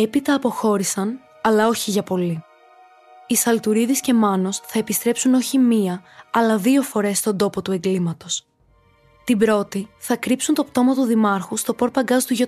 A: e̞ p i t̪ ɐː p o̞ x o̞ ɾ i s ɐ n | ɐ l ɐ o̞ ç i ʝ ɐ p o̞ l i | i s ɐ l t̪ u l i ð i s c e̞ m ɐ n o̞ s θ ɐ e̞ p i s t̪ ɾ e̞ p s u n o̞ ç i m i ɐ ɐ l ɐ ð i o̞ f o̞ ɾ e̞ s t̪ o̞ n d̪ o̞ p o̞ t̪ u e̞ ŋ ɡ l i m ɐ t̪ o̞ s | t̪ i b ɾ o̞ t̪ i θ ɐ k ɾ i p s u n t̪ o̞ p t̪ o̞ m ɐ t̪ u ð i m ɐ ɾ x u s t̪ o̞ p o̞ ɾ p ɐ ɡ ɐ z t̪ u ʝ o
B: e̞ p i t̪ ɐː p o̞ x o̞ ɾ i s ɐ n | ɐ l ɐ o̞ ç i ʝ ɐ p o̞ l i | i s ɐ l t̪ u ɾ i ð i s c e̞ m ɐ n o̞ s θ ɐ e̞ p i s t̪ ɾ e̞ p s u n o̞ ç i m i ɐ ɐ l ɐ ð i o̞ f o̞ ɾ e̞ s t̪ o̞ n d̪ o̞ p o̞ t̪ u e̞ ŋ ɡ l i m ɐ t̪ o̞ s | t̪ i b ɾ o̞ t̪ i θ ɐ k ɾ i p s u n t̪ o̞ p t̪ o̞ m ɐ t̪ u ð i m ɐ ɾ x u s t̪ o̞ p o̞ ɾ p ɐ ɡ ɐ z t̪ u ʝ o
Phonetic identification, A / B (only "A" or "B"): B